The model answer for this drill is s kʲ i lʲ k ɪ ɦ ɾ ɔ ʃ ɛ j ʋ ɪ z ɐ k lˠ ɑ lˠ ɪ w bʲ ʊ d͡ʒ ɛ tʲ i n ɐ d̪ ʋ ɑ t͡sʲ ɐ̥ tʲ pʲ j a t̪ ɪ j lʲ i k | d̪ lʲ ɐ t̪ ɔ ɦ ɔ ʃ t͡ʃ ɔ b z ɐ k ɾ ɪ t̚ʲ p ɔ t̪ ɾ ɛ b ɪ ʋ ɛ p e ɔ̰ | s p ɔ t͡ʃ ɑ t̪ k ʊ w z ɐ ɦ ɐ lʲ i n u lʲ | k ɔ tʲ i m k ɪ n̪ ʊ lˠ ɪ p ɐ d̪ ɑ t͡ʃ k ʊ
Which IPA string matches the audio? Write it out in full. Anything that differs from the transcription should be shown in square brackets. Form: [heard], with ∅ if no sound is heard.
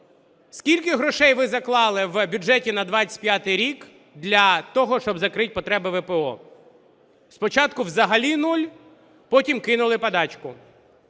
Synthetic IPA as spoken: s kʲ i lʲ k ɪ ɦ ɾ ɔ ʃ ɛ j ʋ ɪ z ɐ k lˠ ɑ lˠ ɪ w bʲ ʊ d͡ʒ ɛ tʲ i n ɐ d̪ ʋ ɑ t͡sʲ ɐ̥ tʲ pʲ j a t̪ ɪ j [ɾʲ] i k | d̪ lʲ ɐ t̪ ɔ ɦ ɔ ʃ t͡ʃ ɔ b z ɐ k ɾ ɪ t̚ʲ p ɔ t̪ ɾ ɛ b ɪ ʋ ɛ p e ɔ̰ | s p ɔ t͡ʃ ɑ t̪ k ʊ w z ɐ ɦ ɐ lʲ i n u lʲ | [p] ɔ tʲ i m k ɪ n̪ ʊ lˠ ɪ p ɐ d̪ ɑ t͡ʃ k ʊ

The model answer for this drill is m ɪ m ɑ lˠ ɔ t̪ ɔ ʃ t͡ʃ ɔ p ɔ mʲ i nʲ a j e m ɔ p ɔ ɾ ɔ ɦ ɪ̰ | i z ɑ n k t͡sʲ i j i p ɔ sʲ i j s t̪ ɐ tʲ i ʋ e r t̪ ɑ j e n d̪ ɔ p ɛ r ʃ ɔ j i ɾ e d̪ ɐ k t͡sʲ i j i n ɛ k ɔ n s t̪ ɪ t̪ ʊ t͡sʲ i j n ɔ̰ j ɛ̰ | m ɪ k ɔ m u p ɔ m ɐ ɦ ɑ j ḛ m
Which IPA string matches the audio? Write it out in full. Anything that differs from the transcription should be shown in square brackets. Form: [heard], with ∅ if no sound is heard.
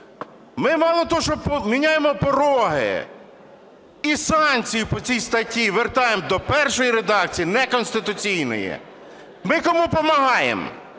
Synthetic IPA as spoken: m ɪ m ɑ lˠ ɔ t̪ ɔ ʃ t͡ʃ ɔ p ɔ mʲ i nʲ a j e m ɔ p ɔ ɾ ɔ ɦ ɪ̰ | i [s] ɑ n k t͡sʲ i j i p ɔ [t͡sʲ] i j s t̪ ɐ tʲ i ʋ e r t̪ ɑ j e [m] d̪ ɔ p ɛ r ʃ ɔ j i ɾ e d̪ [ɑ] k t͡sʲ i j i n ɛ k ɔ n s t̪ ɪ t̪ ʊ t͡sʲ i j n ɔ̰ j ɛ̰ | m ɪ k ɔ m u p ɔ m ɐ ɦ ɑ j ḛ m

